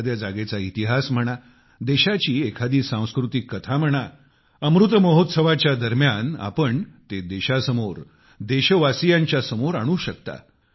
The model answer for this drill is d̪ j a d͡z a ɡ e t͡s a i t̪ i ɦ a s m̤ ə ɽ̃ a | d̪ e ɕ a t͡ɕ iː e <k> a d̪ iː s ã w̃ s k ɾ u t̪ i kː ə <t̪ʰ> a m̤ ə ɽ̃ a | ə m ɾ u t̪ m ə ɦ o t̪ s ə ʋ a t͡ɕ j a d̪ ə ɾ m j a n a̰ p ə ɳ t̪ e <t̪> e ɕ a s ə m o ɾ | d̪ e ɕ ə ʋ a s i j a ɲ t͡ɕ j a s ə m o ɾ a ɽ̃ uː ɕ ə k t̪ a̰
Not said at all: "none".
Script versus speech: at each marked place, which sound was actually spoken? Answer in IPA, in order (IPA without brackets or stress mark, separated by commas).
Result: kʰ, t̪ʰ, d̪